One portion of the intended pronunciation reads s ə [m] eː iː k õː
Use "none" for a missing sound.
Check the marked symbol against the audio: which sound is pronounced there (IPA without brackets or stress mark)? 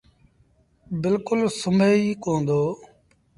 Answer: m